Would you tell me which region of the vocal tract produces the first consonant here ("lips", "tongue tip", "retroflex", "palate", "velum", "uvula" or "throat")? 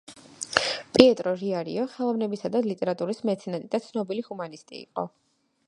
lips